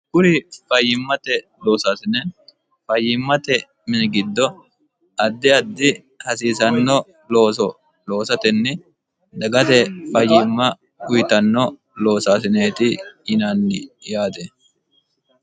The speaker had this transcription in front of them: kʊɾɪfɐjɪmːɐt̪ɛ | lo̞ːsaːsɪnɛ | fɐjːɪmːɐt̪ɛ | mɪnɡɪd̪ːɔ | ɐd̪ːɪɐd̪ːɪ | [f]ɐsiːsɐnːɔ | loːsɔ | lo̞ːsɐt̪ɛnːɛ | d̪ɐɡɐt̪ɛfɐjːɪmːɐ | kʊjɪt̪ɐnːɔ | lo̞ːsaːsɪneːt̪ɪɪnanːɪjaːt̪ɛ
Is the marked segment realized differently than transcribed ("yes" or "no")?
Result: yes